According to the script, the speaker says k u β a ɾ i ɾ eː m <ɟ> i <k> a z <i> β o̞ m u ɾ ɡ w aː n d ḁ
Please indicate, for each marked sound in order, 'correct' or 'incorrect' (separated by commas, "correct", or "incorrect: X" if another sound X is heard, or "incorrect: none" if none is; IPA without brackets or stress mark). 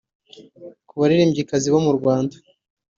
correct, correct, correct